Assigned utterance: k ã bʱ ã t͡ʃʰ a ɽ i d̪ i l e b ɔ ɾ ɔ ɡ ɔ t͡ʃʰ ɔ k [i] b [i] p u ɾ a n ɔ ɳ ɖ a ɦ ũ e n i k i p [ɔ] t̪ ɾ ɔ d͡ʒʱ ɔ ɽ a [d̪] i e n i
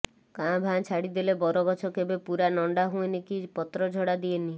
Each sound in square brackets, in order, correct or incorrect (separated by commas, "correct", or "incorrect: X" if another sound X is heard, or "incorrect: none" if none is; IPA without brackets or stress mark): incorrect: e, incorrect: e, correct, correct